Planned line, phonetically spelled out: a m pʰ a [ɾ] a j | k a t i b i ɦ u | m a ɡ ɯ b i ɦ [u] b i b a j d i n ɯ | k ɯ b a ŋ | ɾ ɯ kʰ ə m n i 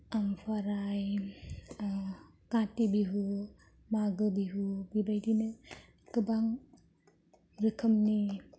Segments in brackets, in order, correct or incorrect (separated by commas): correct, correct